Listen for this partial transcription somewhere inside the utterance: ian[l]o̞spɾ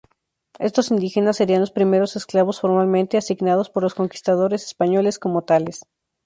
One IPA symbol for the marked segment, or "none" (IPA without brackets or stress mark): l